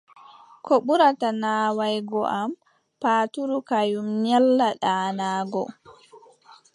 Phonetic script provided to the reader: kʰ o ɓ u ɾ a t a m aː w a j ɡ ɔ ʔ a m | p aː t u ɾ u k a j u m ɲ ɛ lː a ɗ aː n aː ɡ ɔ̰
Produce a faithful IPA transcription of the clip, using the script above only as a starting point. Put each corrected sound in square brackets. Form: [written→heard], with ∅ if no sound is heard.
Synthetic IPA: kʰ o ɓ u ɾ a t a [m→n] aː w a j ɡ ɔ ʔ a m | p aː t u ɾ u k a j u m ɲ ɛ lː a ɗ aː n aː ɡ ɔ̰